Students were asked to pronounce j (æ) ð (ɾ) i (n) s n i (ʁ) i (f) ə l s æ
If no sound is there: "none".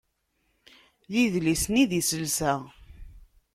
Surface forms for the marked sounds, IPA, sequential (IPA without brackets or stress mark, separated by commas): i, l, none, ð, s